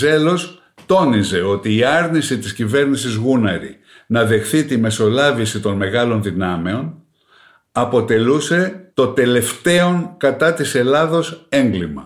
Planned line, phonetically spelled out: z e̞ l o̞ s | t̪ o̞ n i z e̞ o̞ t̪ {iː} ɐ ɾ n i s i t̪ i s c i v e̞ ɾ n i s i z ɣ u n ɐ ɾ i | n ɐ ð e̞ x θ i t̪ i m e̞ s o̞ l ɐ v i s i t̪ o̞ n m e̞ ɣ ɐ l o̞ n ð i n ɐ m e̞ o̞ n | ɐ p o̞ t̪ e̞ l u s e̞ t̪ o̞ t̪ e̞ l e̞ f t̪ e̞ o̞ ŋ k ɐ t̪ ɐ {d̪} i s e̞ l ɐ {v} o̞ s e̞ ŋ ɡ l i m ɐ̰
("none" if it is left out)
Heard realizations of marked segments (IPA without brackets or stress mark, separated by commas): iː, t̪, ð